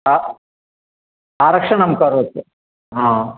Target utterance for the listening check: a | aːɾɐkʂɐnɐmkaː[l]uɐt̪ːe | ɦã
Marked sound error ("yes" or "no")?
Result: yes